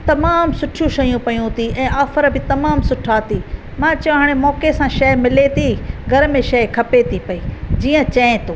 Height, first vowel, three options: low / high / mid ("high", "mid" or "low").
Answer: low